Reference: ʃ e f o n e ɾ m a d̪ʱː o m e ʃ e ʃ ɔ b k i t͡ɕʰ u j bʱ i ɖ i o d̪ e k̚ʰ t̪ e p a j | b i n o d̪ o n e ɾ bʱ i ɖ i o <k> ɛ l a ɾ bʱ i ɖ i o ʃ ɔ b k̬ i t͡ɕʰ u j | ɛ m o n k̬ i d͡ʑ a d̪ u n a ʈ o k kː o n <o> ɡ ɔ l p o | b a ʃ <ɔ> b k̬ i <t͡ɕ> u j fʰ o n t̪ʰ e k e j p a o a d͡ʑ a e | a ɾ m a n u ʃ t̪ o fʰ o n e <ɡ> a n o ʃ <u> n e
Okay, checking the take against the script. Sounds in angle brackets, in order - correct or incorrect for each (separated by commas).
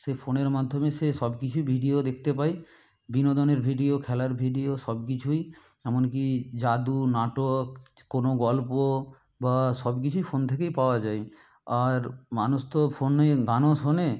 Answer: incorrect, correct, correct, incorrect, correct, incorrect